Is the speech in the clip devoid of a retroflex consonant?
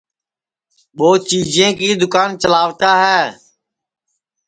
yes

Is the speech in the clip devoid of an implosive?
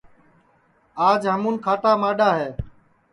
no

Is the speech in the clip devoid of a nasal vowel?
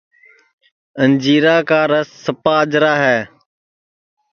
yes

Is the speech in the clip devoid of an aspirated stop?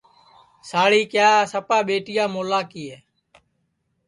yes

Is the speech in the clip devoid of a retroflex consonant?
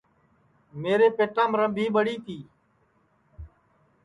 no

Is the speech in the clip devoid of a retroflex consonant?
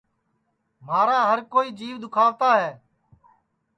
yes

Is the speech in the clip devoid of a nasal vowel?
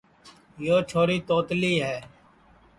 yes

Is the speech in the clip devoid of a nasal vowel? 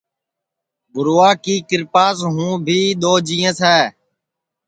no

